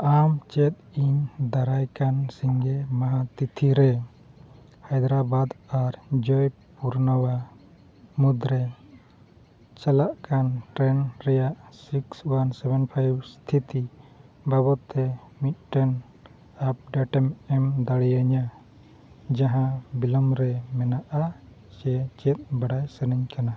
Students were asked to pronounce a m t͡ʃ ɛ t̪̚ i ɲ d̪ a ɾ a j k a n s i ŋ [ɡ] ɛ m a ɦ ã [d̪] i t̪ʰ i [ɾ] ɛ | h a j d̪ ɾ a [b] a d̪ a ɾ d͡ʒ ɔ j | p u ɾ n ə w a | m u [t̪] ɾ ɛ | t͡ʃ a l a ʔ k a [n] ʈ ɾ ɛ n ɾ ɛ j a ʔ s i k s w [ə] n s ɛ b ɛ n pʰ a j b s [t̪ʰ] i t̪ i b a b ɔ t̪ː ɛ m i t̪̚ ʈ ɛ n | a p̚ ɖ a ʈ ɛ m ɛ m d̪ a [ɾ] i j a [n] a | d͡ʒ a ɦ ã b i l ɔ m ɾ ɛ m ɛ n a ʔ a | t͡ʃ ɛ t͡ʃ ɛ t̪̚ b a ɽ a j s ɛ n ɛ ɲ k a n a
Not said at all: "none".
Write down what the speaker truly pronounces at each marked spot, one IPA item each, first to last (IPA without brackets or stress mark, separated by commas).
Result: ɡ, t̪, ɾ, b, d̪, n, a, t̪ʰ, ɽ, ɲ